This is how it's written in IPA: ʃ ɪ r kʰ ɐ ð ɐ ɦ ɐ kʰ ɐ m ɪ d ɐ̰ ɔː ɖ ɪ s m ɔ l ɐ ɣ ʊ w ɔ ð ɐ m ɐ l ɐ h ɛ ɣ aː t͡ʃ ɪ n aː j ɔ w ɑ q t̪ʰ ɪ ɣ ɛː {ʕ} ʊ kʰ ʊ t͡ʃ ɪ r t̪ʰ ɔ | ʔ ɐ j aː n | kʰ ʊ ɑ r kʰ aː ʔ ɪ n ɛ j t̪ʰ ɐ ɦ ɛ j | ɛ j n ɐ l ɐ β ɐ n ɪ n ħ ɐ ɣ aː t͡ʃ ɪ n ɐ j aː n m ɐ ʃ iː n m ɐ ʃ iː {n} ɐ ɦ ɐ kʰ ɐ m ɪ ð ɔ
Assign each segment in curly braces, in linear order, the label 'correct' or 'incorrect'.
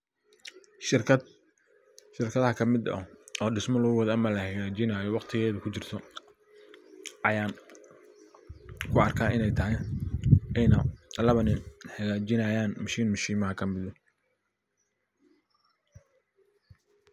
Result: incorrect: ð, incorrect: m

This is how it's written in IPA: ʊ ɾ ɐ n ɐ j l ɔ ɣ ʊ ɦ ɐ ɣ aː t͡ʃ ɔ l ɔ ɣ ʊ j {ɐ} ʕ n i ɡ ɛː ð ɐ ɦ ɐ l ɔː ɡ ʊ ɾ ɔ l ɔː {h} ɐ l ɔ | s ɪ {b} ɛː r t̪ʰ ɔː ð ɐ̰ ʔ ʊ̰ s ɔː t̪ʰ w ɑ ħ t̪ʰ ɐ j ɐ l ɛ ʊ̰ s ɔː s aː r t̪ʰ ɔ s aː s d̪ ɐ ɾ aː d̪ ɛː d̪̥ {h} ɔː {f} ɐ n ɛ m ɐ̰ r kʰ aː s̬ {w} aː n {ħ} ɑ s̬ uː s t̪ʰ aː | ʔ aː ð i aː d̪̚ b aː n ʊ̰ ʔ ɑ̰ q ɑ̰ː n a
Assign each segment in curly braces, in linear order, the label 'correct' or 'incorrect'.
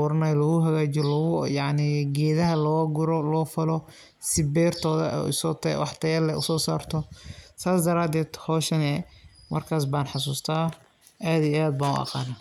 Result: incorrect: ɑ, incorrect: f, correct, correct, incorrect: ʃ, incorrect: b, correct

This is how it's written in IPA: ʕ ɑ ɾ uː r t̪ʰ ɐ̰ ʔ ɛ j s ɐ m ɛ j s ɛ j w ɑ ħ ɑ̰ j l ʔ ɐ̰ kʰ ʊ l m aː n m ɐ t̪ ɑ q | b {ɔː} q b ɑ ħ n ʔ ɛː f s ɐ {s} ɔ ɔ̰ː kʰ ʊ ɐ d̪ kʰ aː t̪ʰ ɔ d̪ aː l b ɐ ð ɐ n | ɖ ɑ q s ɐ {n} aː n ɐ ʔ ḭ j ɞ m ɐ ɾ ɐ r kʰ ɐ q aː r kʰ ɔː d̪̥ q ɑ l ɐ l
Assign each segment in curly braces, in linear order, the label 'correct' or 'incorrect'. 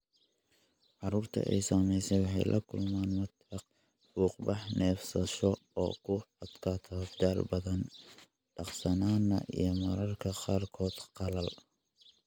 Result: incorrect: uː, incorrect: ʃ, correct

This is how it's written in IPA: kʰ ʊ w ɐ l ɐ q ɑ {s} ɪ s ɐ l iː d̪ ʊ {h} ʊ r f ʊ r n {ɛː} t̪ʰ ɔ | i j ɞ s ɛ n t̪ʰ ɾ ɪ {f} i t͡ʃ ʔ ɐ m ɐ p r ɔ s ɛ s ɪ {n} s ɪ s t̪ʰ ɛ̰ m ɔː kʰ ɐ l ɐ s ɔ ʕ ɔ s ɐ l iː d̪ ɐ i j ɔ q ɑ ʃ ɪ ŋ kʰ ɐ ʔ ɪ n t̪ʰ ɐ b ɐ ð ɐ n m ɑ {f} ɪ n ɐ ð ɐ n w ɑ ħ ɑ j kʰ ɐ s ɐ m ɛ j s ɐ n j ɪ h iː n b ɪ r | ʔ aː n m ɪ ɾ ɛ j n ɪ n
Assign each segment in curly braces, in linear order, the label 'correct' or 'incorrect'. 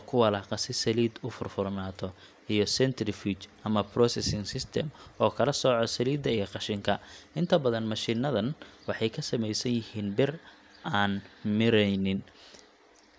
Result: correct, incorrect: f, incorrect: aː, correct, incorrect: ŋ, incorrect: ʃ

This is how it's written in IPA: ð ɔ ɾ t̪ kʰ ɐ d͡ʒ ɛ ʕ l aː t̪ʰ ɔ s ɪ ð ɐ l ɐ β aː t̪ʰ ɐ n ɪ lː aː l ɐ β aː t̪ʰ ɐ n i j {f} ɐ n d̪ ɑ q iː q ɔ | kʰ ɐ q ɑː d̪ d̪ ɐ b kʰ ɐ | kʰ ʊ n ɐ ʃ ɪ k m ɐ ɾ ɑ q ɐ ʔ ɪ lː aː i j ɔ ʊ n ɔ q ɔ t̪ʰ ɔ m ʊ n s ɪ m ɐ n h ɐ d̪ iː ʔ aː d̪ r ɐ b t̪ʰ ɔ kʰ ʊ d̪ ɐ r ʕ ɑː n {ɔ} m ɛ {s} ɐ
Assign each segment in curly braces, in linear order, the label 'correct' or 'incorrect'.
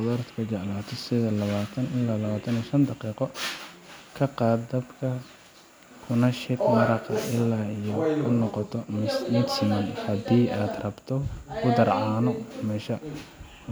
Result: incorrect: ʃ, correct, incorrect: ʃ

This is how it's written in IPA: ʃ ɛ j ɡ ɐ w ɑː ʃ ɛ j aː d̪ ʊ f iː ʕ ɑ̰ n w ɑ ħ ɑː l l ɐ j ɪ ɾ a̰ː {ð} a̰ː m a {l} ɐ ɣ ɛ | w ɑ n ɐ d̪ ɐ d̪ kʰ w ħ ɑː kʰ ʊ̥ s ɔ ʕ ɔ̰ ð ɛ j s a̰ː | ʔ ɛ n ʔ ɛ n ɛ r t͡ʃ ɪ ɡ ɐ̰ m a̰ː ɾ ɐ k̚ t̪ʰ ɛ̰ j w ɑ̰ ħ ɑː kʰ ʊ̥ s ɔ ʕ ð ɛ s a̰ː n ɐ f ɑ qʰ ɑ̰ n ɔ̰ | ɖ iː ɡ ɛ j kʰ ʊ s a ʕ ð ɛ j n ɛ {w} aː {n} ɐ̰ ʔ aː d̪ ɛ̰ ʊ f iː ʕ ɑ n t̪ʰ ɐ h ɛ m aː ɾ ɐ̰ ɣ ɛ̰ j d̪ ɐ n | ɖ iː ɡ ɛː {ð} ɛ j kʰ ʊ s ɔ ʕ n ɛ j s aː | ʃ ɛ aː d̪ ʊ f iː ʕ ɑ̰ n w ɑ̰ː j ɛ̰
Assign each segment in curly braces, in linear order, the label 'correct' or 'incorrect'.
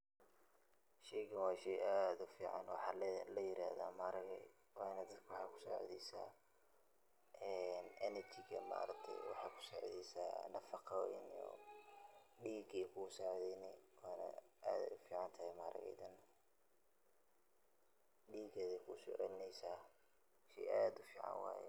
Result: correct, incorrect: ɾ, correct, correct, correct

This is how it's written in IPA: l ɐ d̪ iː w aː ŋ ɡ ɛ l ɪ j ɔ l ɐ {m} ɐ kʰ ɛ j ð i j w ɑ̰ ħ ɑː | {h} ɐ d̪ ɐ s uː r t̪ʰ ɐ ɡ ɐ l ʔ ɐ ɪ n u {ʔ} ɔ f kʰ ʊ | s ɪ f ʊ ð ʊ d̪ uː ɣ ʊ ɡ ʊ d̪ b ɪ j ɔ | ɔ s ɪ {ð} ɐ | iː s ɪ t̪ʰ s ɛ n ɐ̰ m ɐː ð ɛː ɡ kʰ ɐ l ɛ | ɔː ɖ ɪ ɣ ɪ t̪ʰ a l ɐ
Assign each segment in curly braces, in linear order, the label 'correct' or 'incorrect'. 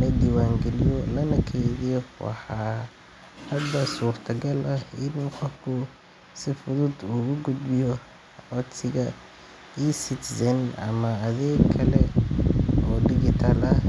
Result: incorrect: n, correct, incorrect: q, incorrect: ɣ

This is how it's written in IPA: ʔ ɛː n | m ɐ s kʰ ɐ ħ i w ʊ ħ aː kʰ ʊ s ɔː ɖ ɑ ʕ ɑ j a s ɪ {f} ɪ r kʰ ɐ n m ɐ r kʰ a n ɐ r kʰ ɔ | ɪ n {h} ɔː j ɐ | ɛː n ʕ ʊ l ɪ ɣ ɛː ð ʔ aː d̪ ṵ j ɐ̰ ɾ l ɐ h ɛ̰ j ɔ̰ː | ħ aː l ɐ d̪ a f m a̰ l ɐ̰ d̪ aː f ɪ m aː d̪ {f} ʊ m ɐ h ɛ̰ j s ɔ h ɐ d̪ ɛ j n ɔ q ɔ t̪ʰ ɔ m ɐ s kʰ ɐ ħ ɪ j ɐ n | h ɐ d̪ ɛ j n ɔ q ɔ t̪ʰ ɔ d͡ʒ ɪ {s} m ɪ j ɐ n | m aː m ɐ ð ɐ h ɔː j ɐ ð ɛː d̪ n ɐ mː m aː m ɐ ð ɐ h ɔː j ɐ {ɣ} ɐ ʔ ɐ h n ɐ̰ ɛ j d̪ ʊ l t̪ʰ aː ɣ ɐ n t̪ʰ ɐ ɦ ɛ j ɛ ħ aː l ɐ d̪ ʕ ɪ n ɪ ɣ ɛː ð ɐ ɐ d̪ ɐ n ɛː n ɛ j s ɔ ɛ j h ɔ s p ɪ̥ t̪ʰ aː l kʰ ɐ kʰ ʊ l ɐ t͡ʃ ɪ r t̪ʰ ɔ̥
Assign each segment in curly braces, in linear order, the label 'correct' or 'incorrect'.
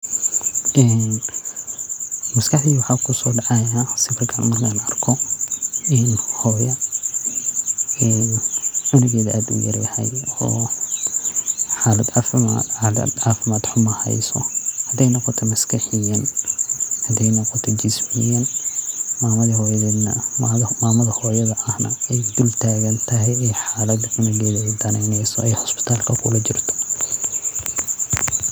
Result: correct, correct, incorrect: ħ, correct, incorrect: ð

